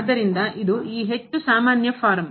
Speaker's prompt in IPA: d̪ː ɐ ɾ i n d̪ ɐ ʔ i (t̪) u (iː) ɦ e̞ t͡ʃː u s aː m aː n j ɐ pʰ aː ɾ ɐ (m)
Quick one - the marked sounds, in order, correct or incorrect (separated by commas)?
incorrect, correct, correct